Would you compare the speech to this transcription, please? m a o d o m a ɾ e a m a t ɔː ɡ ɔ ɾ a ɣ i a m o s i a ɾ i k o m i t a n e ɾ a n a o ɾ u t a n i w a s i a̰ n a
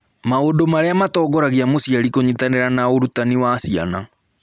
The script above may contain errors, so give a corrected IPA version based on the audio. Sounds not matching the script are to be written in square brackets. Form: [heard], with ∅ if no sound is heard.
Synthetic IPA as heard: m a o d o m a ɾ e a m a t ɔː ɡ ɔ ɾ a ɣ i a m o s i a ɾ i k o [ɲ] i t a n e ɾ a n a o ɾ u t a n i w a s i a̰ n a

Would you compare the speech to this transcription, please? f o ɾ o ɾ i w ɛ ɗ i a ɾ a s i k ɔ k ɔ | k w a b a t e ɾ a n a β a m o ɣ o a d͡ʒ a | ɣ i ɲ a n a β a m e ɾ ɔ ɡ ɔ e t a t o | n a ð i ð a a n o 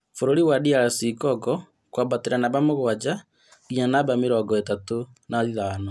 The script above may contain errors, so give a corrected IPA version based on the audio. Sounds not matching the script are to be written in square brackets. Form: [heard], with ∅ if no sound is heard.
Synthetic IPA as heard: f o ɾ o ɾ i w [a] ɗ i a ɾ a s i k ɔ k ɔ | k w a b a t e ɾ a n a β a m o ɣ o a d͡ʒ a | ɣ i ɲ a n a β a m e ɾ ɔ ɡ ɔ e t a t o | n a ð i ð a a n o

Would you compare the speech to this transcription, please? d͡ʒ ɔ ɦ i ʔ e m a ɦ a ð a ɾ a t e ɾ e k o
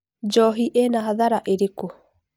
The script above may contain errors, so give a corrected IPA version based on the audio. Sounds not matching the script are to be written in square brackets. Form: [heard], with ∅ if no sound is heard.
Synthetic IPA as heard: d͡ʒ ɔ ɦ i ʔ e [n] a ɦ a ð a ɾ a [ʔ] e ɾ e k o

